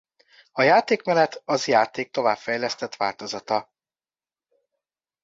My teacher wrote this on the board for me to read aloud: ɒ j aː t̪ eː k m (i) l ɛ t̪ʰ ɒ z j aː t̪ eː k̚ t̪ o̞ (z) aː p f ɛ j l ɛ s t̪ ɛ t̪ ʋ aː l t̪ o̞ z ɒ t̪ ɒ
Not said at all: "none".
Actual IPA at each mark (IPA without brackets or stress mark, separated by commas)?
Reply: ɛ, v